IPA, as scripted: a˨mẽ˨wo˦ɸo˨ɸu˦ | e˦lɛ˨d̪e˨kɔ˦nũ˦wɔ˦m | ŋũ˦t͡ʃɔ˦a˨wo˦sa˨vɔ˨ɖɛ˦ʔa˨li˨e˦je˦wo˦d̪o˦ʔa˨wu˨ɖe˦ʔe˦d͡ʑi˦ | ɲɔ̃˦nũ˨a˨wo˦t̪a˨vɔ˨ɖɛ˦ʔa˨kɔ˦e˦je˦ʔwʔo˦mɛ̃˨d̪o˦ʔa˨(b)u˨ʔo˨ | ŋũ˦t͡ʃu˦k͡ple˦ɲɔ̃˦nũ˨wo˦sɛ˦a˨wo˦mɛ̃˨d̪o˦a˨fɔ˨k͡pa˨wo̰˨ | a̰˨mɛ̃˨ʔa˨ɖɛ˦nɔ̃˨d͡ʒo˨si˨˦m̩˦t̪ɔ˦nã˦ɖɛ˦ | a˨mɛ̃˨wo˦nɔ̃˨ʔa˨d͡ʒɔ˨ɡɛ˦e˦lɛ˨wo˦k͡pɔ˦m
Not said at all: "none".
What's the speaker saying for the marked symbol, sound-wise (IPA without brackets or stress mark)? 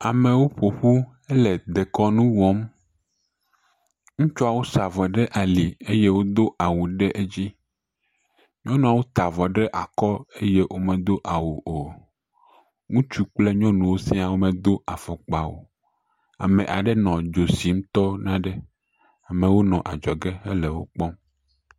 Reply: w